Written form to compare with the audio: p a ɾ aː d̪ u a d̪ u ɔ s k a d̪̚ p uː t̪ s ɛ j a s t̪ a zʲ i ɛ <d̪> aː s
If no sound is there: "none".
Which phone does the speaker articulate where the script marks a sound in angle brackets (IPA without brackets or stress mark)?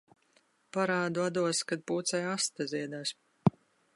d̪